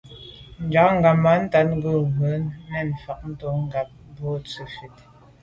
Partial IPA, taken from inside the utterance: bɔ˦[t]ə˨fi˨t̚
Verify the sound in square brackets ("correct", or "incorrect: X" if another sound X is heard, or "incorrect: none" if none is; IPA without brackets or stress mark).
incorrect: t͡s